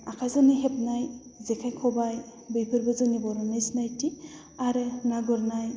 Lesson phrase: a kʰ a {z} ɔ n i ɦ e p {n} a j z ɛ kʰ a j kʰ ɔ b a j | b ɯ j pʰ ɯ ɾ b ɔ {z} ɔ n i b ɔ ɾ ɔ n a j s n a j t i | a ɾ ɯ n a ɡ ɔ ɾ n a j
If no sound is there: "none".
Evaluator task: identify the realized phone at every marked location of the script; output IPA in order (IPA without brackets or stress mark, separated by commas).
z, n, z